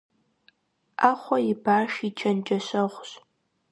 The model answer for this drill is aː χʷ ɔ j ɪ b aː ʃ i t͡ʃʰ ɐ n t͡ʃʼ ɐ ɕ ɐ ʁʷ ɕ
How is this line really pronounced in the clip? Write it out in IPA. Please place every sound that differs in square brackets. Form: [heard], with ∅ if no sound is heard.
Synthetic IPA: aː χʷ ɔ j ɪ b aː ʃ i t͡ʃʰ ɐ n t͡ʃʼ ɐ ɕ ɐ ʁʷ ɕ